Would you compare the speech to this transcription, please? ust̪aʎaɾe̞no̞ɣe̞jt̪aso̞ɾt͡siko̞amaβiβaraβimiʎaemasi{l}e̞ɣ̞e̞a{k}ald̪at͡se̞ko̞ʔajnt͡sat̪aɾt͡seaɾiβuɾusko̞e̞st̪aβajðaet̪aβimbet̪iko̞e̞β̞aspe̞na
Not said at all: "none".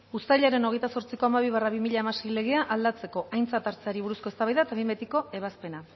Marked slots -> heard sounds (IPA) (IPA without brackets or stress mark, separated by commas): l, ʔ